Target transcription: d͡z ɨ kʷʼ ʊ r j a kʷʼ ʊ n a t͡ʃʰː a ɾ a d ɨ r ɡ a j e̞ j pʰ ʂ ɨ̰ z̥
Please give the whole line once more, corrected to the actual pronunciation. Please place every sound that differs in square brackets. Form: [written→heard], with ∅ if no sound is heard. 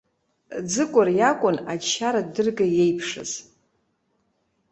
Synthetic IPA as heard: d͡z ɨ kʷʼ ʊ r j a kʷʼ ʊ n a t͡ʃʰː a ɾ a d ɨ r ɡ a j e̞ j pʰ ʂ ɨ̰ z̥